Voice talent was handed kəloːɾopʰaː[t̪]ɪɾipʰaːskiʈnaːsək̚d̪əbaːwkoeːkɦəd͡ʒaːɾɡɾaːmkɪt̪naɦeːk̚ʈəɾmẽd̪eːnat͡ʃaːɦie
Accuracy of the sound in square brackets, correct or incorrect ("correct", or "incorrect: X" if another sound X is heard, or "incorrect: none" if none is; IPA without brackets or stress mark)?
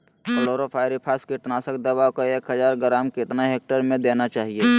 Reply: incorrect: none